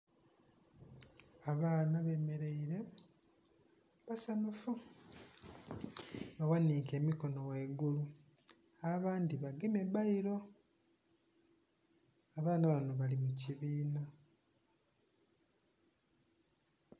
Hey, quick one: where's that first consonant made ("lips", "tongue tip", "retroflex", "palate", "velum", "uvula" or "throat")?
lips